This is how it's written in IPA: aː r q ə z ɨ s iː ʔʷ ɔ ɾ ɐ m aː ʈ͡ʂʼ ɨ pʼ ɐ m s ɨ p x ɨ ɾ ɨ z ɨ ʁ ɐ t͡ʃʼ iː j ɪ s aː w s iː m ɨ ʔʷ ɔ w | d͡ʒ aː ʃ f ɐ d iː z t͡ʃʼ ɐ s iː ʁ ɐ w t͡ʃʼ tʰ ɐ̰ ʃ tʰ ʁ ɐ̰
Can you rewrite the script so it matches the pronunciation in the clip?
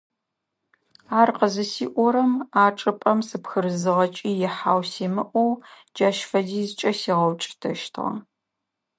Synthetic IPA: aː r q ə z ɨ s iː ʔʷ ɔ ɾ ɐ m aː ʈ͡ʂʼ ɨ pʼ ɐ m s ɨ p x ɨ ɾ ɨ z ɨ ʁ ɐ t͡ʃʼ iː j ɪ ħ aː w s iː m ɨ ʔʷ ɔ w | d͡ʒ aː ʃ f ɐ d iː z t͡ʃʼ ɐ s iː ʁ ɐ w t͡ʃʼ tʰ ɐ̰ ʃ tʰ ʁ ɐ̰